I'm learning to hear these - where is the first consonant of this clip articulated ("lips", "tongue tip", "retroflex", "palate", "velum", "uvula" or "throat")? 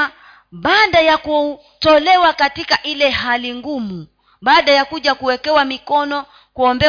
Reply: lips